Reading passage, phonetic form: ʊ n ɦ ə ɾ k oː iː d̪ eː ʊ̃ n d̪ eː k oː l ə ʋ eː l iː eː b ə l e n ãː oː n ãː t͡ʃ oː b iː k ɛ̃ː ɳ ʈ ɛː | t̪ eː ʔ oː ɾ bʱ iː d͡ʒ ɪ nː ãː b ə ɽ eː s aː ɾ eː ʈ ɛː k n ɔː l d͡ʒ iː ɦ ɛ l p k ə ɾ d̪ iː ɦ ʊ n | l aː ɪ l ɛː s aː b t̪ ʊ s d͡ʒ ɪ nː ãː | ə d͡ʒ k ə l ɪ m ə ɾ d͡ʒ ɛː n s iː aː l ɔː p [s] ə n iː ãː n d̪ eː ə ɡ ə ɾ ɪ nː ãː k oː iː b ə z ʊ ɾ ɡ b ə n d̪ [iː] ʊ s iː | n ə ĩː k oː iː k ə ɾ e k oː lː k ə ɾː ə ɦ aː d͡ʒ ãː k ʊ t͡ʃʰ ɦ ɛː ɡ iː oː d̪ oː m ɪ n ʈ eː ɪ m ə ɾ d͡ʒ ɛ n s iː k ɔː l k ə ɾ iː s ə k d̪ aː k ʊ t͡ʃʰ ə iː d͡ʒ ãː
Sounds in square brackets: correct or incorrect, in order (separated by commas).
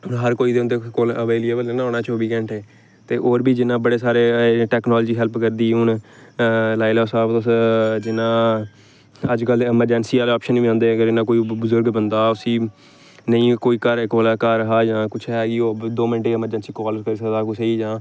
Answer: incorrect, incorrect